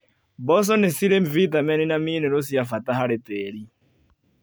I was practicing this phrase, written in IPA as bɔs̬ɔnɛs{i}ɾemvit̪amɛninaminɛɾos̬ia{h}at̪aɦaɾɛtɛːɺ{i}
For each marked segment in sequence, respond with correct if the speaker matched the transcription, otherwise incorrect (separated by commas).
correct, incorrect, correct